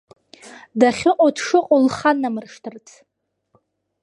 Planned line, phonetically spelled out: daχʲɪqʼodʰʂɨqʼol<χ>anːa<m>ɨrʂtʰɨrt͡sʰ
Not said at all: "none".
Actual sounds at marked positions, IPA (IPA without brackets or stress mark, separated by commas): χ, m